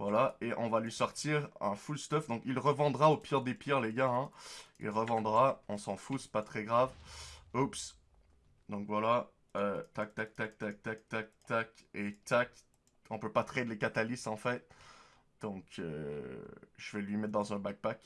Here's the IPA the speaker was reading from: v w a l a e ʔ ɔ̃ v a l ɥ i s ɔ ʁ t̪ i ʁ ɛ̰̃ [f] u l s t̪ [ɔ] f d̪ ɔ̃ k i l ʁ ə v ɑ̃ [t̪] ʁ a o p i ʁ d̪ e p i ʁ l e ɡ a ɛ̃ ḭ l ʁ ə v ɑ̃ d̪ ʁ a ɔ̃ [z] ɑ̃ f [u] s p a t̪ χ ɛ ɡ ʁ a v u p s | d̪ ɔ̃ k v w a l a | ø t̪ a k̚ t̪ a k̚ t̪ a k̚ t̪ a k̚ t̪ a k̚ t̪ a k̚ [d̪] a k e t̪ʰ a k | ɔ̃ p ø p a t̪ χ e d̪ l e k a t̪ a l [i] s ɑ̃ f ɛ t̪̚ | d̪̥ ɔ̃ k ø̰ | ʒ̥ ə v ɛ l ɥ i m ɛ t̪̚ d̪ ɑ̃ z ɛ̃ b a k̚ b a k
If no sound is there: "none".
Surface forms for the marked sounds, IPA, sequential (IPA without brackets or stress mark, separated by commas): f, ɔ, d̪, s, u, t̪, i